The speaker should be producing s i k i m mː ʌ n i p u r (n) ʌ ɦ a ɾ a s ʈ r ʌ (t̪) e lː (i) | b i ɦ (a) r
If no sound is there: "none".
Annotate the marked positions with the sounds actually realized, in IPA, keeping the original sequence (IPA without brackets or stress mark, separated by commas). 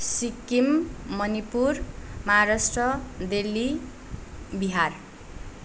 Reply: m, d̪, i, a